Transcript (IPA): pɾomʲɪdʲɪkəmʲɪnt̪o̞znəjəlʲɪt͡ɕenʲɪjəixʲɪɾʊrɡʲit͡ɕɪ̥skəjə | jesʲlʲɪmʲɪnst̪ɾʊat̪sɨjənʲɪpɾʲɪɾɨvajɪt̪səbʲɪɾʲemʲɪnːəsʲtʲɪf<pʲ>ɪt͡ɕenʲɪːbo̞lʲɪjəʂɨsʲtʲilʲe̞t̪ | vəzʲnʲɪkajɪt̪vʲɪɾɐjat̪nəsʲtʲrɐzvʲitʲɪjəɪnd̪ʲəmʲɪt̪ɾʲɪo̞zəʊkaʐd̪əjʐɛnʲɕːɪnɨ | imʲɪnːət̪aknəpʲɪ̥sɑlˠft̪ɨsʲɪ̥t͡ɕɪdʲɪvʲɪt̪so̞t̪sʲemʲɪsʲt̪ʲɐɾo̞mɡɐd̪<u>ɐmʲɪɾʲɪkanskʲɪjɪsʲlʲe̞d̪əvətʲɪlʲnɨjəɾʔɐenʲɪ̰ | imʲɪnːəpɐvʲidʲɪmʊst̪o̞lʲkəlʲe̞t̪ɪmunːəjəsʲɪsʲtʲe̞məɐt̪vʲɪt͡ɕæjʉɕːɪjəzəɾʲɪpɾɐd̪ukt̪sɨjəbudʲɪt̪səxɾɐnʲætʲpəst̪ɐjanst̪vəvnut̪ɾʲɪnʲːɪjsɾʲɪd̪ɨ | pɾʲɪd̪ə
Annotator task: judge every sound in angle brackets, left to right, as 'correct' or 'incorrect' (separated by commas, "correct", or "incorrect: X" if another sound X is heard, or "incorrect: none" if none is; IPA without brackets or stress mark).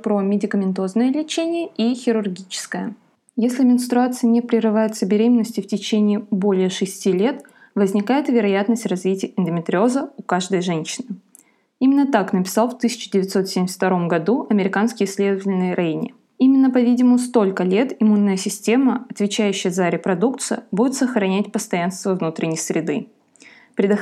incorrect: tʲ, correct